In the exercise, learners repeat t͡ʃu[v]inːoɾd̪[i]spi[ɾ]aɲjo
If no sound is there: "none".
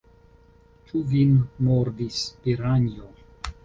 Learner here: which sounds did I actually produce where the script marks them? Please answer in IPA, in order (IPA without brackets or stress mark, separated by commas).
v, i, ɾ